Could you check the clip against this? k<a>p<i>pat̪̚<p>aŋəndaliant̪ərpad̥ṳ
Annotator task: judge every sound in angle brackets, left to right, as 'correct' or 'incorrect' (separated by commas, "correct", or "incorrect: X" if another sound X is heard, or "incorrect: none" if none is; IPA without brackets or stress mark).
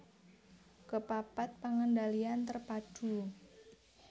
incorrect: ə, incorrect: a, correct